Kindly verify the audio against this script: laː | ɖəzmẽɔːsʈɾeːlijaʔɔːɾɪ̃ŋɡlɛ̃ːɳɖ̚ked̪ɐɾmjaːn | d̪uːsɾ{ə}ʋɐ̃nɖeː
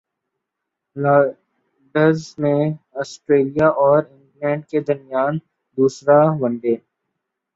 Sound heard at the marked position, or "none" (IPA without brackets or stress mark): a